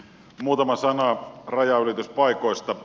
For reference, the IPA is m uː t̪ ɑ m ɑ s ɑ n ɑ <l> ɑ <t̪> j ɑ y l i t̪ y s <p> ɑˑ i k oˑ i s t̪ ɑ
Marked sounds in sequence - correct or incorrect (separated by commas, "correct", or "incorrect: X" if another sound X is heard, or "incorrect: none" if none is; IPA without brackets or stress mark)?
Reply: incorrect: r, incorrect: none, correct